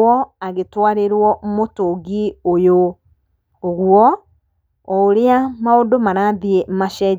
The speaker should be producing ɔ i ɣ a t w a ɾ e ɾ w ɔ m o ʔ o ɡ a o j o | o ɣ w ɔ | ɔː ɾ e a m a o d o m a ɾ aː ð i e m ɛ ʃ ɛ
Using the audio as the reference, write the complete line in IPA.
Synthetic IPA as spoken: ɔ a ɣ e t w a ɾ e ɾ w ɔ m o t o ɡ i o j o | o ɣ w ɔ | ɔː ɾ e a m a o d o m a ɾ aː ð i e m a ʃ ɛ